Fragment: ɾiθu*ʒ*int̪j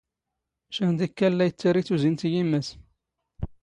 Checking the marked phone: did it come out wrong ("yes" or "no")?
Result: yes